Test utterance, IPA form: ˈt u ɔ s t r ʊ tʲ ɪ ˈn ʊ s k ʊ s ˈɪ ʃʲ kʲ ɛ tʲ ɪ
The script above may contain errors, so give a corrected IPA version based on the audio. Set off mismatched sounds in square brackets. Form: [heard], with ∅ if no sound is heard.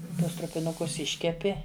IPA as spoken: ˈt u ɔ s t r ʊ [pʲ] ɪ ˈn ʊ [∅] k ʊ s ˈɪ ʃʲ kʲ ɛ [pʲ] ɪ